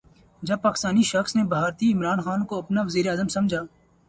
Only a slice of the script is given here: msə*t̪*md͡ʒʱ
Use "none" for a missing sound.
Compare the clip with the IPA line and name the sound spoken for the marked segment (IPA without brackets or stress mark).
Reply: none